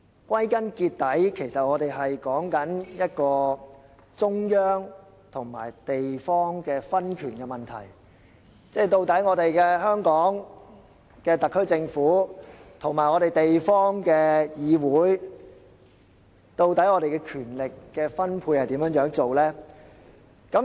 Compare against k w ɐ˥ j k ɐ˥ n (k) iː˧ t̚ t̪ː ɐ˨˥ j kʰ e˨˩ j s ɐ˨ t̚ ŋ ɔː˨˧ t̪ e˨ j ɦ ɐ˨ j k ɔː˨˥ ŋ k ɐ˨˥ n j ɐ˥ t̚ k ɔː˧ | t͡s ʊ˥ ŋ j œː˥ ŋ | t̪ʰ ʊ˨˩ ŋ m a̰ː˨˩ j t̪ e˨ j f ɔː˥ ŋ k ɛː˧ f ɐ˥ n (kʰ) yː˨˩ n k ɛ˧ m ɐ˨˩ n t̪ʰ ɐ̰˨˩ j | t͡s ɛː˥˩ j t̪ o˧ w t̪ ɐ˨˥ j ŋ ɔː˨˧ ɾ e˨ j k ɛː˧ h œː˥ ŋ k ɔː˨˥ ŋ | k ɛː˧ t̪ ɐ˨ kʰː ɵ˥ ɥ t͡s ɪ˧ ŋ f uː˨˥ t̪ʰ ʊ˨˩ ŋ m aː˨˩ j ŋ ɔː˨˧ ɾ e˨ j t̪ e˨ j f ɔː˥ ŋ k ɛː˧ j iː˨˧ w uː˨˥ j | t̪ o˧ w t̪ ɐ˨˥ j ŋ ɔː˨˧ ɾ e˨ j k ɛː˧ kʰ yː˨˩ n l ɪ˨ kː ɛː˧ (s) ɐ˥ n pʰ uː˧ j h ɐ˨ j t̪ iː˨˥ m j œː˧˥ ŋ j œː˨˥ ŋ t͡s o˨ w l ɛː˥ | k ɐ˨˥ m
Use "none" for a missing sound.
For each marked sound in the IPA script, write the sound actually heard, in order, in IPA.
k, kʰ, f

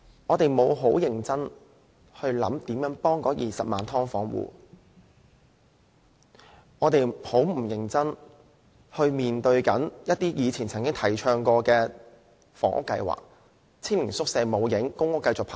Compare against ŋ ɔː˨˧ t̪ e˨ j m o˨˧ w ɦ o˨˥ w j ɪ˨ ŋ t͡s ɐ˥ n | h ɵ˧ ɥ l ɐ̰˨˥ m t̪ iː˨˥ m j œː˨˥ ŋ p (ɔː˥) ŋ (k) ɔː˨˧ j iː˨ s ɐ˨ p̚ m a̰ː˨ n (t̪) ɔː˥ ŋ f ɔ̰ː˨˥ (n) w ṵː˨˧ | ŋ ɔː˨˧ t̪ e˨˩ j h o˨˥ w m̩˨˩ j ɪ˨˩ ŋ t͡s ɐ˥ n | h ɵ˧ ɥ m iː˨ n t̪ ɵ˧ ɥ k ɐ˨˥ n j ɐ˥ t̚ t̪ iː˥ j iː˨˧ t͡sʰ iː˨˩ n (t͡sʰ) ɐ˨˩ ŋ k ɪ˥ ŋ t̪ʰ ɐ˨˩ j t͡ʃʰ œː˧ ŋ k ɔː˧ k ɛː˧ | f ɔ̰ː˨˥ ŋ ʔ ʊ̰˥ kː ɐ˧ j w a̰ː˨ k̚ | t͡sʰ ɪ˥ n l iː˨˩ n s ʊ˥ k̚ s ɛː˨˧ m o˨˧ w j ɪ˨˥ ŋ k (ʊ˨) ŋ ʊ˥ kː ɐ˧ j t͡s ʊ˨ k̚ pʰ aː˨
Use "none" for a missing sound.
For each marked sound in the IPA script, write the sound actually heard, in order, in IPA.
ɔː˥, k, t̪ʰ, ŋ, t͡sʰ, ʊ˥

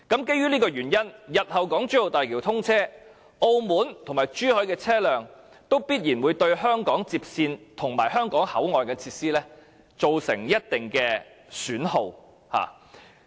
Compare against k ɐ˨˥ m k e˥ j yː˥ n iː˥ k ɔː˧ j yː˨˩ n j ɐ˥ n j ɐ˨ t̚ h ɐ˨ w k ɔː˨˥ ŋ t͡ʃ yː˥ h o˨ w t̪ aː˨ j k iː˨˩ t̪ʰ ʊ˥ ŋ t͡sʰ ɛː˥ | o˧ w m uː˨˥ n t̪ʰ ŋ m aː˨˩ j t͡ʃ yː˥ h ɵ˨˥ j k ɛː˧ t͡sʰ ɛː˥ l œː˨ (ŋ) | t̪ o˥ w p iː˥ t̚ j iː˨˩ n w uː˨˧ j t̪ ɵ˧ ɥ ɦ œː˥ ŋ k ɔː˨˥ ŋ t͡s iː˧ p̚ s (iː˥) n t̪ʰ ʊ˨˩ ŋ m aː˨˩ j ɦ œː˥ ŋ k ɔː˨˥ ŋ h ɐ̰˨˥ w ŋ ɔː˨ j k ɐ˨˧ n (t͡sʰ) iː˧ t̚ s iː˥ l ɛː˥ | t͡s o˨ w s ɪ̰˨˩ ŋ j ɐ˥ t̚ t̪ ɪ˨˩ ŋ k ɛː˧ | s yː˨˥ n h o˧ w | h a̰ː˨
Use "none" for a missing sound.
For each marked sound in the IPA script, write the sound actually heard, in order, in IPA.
ŋ, iː˧, t͡sʰ

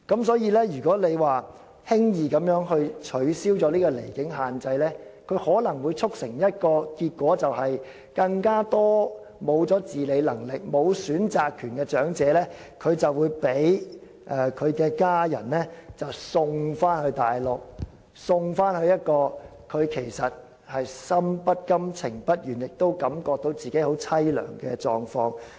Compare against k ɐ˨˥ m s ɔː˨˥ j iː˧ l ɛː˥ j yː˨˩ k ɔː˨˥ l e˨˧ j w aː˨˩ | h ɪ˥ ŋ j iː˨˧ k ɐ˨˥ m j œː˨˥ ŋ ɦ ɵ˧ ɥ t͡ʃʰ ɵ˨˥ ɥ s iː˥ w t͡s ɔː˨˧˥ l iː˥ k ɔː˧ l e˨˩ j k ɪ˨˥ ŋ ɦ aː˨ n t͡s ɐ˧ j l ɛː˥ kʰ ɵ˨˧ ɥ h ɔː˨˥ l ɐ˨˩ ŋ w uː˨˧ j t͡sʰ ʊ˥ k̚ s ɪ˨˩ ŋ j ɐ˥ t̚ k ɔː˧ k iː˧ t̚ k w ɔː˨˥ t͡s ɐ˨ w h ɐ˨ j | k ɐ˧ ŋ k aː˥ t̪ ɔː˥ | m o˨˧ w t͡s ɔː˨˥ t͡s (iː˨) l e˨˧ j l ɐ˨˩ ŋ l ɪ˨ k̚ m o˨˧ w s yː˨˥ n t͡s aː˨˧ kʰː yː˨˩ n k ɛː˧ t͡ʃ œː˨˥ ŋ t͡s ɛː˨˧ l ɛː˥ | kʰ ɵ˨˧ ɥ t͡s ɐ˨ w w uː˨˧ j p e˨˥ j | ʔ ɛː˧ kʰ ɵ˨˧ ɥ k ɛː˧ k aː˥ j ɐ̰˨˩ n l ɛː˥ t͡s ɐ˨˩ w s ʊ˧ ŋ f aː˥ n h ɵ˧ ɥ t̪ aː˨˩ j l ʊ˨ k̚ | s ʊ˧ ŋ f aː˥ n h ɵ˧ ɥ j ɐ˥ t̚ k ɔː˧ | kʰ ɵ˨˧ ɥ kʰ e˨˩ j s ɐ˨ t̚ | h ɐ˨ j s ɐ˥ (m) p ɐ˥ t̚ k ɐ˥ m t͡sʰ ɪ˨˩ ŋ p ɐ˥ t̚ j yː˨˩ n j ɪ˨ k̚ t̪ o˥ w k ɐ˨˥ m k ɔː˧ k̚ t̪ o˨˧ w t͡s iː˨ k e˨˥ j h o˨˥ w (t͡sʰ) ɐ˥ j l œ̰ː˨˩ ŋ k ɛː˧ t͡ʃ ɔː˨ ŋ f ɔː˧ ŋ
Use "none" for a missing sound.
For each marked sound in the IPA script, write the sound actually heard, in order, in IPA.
iː˨, m, t͡sʰ

